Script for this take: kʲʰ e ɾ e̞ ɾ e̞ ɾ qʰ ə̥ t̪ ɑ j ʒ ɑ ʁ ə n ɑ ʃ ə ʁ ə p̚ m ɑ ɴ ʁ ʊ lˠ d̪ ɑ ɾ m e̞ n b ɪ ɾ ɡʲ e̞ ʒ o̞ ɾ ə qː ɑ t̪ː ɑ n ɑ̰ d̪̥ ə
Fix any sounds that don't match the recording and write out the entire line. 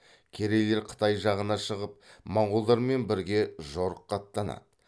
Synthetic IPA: kʲʰ e ɾ e̞ l e̞ ɾ qʰ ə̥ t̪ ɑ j ʒ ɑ ʁ ə n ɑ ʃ ə ʁ ə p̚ m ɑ ɴ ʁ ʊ lˠ d̪ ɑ ɾ m e̞ n b ɪ ɾ ɡʲ e̞ ʒ o̞ ɾ ə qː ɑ t̪ː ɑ n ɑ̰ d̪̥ ə